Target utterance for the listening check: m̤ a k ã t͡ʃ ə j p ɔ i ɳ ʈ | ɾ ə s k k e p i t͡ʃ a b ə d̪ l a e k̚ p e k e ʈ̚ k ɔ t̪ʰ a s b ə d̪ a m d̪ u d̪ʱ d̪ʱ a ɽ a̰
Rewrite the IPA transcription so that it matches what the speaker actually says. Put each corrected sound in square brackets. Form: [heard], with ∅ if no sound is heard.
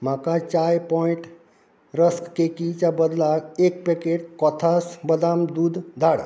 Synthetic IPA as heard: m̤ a k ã t͡ʃ [a] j p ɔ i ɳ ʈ | ɾ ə s k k e [k] i t͡ʃ a b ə d̪ l a e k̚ p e k e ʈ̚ k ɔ t̪ʰ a s b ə d̪ a m d̪ u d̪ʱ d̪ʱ a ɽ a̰